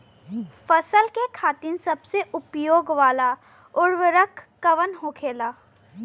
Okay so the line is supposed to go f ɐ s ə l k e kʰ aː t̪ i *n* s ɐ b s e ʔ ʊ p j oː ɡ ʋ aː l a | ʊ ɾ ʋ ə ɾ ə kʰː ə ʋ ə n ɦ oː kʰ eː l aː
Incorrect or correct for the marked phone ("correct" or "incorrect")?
correct